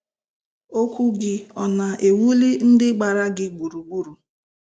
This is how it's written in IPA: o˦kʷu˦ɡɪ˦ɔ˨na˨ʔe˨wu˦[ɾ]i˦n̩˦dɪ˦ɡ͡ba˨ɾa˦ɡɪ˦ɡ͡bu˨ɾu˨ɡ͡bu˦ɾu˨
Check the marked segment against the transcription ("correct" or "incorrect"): incorrect